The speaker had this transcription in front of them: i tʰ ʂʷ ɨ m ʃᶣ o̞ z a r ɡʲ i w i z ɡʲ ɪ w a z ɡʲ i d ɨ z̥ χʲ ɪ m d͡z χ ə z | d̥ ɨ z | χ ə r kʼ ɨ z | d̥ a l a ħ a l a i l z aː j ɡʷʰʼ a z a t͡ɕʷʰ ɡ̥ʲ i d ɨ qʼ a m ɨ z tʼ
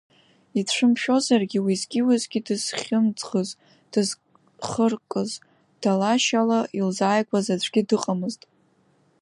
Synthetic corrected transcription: i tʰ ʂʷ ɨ m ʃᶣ o̞ z a r ɡʲ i w i z ɡʲ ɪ w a z ɡʲ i d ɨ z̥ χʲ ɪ m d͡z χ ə z | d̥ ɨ z | χ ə r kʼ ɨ z | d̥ a l a ʃ a l a i l z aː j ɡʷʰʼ a z a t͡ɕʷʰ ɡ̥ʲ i d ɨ qʼ a m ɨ z tʼ